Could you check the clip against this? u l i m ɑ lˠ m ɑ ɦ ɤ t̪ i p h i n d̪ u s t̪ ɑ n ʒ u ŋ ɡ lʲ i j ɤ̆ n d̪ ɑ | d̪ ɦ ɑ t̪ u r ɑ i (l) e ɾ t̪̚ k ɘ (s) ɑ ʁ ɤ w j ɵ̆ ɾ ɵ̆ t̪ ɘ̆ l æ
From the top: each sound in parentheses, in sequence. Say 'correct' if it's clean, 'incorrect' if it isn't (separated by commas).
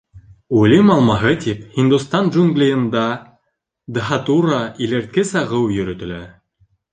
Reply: correct, correct